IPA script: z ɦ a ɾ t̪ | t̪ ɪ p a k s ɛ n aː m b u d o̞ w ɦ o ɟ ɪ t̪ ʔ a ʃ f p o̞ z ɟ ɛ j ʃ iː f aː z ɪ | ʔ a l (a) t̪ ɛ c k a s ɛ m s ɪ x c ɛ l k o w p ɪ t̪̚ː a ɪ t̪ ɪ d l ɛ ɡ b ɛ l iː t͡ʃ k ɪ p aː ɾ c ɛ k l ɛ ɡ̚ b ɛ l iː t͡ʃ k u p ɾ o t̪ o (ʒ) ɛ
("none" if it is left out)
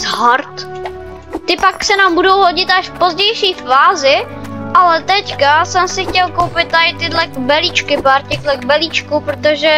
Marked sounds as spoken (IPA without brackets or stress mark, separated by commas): ɛ, ʒ